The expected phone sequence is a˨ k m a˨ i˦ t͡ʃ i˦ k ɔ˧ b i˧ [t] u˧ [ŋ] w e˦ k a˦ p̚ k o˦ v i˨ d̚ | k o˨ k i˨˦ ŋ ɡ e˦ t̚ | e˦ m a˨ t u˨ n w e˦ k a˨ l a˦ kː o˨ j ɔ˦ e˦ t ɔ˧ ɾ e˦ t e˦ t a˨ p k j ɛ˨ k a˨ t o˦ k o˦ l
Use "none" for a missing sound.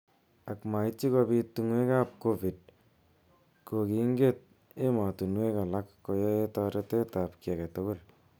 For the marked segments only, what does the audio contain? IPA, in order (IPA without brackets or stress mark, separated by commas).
t, ŋ